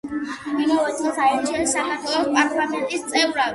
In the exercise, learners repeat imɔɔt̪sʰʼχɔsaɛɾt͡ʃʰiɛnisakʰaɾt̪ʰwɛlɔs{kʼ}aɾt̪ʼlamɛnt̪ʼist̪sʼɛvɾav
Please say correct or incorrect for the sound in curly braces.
incorrect: pʼ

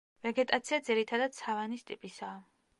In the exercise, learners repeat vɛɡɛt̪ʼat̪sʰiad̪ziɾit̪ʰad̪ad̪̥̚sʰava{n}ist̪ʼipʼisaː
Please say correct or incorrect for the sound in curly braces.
correct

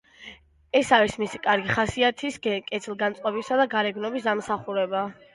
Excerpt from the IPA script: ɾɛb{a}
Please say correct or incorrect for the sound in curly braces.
correct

